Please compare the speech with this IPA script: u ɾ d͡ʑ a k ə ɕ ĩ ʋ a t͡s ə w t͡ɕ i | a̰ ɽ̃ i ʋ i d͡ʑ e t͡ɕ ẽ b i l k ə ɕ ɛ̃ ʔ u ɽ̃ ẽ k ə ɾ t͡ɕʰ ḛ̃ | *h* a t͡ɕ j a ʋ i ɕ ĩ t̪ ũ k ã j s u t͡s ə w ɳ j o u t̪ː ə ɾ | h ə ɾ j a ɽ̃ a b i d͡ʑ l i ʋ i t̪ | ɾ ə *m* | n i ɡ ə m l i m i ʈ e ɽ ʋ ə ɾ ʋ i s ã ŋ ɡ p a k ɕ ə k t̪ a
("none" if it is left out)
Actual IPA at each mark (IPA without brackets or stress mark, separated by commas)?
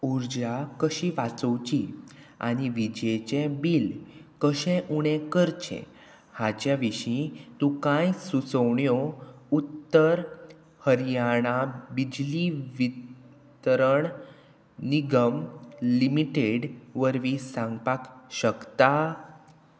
h, ɳ